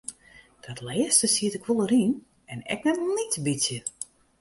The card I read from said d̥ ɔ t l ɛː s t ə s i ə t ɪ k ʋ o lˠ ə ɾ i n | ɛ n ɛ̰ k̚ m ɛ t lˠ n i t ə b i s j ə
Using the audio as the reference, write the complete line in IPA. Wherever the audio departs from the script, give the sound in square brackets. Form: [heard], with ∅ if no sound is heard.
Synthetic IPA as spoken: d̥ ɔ t l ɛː s t ə s i ə t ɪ k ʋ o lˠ ə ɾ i n | ɛ n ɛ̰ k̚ [n] ɛ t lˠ n i t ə b i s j ə